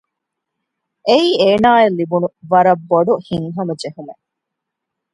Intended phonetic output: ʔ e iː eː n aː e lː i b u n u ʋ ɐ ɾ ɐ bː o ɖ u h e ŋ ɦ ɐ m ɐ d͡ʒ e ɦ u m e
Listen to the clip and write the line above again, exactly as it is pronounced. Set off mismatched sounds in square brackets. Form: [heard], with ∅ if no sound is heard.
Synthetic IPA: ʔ e iː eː n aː e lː i b u n u ʋ ɐ ɾ ɐ bː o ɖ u h [i] ŋ ɦ ɐ m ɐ d͡ʒ e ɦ u m e